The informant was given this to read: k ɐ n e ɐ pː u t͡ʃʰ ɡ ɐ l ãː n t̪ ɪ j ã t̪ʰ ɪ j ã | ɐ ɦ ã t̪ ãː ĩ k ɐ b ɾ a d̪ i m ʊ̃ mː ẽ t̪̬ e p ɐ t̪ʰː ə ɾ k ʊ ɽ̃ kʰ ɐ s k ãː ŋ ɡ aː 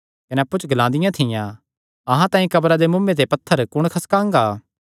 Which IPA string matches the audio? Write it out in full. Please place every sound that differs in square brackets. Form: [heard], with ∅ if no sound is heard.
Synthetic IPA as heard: k ɐ n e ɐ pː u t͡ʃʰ ɡ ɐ l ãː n [d̪] ɪ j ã t̪ʰ ɪ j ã | ɐ ɦ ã t̪ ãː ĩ k ɐ b ɾ a d̪ [e] m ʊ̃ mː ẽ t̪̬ e p ɐ t̪ʰː ə ɾ k ʊ ɽ̃ kʰ ɐ s k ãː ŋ ɡ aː